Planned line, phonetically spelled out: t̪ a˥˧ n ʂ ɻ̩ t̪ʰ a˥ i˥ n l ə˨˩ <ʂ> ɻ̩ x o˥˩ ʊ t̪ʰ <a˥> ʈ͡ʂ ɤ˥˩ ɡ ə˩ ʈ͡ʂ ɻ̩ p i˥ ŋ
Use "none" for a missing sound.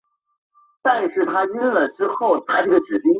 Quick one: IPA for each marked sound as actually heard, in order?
ʈ͡ʂ, a˥

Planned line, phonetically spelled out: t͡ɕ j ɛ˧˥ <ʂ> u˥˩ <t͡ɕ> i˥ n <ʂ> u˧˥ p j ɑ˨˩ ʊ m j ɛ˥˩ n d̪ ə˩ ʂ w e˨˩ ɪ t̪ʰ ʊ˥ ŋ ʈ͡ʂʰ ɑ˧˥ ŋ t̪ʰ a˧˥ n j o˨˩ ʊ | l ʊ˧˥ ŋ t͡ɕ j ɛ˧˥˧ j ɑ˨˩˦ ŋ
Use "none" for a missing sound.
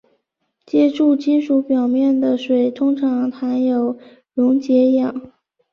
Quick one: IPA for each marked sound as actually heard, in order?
ʈ͡ʂ, t͡ɕ, ʂ

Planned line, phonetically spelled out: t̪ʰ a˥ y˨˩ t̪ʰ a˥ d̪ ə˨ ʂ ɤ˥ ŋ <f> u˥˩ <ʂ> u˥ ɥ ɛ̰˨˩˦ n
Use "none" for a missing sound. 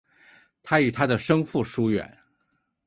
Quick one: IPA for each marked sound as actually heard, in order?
f, ʂ

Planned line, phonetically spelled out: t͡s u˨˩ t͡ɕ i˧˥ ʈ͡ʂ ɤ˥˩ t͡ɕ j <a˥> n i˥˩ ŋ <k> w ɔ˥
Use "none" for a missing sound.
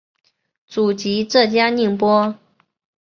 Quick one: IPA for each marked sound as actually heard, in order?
a˥, p

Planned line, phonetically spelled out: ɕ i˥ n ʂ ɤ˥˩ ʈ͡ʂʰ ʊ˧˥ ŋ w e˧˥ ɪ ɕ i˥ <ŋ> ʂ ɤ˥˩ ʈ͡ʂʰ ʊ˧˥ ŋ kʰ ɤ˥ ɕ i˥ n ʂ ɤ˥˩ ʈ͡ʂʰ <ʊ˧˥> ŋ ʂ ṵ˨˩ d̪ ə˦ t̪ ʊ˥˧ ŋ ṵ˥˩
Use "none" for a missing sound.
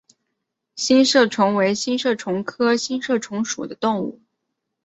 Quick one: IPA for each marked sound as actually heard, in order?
n, ʊ˧˥

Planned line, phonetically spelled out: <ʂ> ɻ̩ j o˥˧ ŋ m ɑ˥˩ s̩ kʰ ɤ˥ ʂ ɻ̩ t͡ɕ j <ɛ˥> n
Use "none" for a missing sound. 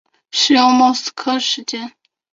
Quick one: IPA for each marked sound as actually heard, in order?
ʂ, ɛ˥

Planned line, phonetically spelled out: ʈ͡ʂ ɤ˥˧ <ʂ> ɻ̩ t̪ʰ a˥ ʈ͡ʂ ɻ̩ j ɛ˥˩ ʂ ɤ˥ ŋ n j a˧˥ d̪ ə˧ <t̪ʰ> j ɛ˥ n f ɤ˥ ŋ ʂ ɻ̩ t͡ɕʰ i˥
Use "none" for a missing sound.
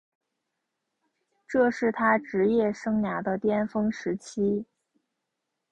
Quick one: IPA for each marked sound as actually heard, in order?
ʂ, t̪

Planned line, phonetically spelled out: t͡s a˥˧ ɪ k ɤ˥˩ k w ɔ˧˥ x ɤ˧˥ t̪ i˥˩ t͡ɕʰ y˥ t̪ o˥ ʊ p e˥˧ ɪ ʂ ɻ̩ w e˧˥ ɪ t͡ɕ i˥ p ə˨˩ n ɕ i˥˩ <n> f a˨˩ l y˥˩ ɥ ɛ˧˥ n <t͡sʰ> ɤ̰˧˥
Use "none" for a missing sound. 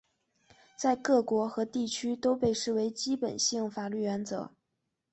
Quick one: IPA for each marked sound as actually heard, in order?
ŋ, t͡s

